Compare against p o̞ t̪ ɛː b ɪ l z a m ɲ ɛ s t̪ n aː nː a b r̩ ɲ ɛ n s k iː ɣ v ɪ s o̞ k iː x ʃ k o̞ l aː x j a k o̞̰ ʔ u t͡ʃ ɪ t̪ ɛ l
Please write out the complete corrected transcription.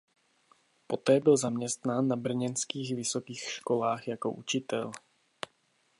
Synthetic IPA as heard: p o̞ t̪ ɛː b ɪ l z a m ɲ ɛ s t̪ n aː nː a b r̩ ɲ ɛ n s k iː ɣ v ɪ s o̞ k iː x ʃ k o̞ l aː x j a k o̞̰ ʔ u t͡ʃ ɪ t̪ ɛ l